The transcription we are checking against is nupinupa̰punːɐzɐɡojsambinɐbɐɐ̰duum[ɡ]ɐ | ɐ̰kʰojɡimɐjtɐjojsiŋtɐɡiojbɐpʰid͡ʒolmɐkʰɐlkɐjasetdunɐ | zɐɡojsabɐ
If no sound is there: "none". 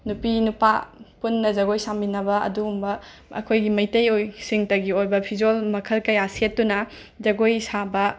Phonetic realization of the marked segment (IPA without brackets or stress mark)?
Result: b